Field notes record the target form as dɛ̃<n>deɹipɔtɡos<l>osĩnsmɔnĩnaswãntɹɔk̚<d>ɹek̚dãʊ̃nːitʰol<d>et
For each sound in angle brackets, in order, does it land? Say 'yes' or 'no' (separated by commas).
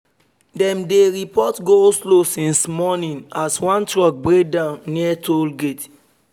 no, yes, no, no